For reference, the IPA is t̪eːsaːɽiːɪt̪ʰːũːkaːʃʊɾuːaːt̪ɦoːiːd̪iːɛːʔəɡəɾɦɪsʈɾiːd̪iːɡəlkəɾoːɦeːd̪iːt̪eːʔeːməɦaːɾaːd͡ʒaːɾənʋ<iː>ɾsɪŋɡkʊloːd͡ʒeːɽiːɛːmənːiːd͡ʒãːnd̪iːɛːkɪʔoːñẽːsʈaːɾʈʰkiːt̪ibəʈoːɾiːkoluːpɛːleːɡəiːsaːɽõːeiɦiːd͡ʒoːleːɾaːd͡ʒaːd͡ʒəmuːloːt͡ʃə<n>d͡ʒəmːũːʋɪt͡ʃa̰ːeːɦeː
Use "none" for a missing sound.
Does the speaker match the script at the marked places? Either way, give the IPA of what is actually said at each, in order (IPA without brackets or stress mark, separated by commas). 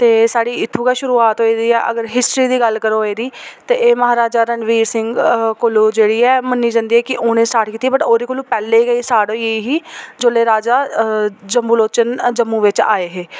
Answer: iː, n